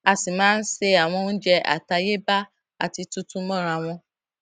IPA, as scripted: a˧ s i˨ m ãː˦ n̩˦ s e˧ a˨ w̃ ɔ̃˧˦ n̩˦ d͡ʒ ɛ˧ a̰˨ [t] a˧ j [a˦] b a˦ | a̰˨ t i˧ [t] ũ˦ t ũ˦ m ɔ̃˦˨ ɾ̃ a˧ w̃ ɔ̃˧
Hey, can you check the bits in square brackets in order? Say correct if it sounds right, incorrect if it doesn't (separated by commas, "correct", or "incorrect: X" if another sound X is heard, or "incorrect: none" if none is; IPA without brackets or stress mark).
correct, incorrect: e˦, correct